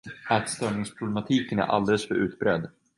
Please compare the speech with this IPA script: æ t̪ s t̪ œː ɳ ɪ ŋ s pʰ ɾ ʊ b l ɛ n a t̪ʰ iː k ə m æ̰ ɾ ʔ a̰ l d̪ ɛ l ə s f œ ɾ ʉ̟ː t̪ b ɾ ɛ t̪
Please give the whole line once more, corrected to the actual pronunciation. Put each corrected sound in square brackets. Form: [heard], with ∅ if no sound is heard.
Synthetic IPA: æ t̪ s t̪ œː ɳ ɪ ŋ s pʰ ɾ ʊ b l ɛ [m] a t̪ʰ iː k ə [n] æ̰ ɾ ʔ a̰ l d̪ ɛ l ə s f œ ɾ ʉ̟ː t̪ b ɾ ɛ [d̪]